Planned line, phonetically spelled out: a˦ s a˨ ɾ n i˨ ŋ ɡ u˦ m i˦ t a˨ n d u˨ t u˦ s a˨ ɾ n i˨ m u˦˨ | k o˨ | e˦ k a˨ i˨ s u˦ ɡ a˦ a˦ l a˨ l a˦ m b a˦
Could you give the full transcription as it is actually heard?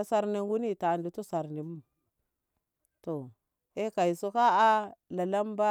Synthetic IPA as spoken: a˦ s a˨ ɾ n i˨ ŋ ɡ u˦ n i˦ t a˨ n d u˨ t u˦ s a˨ ɾ n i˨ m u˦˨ | t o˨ | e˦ k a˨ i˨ s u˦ k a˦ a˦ l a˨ l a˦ m b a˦